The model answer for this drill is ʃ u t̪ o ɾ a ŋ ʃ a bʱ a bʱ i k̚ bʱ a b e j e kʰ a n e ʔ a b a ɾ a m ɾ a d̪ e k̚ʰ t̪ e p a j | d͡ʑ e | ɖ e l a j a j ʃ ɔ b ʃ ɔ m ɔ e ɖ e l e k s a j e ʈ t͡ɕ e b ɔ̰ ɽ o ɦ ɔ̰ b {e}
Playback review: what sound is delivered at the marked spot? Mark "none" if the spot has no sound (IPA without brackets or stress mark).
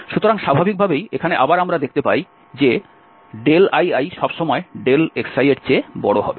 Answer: e